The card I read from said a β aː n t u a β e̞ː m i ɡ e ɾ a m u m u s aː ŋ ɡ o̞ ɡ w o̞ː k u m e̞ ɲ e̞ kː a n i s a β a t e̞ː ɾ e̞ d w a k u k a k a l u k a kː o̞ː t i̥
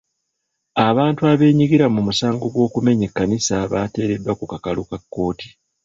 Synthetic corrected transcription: a β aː n t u a β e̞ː ɲ i ɡ i ɾ a m u m u s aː ŋ ɡ o̞ ɡ w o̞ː k u m e̞ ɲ e̞ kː a n i s a β a t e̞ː ɾ e̞ d w a k u k a k a l u k a kː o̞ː t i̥